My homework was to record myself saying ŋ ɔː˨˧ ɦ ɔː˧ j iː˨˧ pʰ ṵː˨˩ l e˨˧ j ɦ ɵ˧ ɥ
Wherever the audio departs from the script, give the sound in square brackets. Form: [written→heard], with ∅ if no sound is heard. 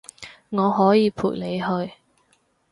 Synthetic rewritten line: ŋ ɔː˨˧ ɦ [ɔː˧→ɔː˨˥] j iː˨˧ pʰ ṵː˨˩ l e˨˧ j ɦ ɵ˧ ɥ